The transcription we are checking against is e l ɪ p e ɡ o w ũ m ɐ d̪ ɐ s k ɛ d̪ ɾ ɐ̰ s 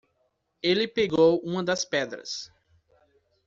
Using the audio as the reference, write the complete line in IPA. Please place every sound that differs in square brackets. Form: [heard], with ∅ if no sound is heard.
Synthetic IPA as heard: e l ɪ p e ɡ o w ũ m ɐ d̪ ɐ s [p] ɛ d̪ ɾ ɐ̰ s